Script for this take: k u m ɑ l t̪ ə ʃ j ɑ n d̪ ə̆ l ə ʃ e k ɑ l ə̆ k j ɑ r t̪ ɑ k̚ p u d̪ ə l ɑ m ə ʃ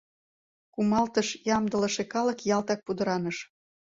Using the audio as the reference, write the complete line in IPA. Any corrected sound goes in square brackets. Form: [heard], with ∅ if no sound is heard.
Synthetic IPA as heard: k u m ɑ l t̪ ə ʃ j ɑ [m] d̪ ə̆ l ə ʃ e k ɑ l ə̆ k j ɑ [l] t̪ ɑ k̚ p u d̪ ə [ɾ] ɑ [n] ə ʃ